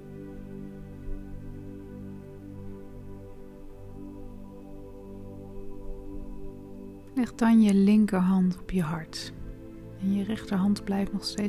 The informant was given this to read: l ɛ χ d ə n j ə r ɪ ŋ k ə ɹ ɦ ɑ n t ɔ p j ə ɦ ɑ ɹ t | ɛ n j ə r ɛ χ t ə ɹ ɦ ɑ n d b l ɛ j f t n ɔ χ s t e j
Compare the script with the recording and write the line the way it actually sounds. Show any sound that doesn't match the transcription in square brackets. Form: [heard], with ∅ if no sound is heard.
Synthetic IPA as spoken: l ɛ χ d [ɑ] n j ə [l] ɪ ŋ k ə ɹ ɦ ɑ n t ɔ p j ə ɦ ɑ ɹ t | ɛ n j ə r ɛ χ t ə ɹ ɦ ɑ n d b l ɛ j f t n ɔ χ s t e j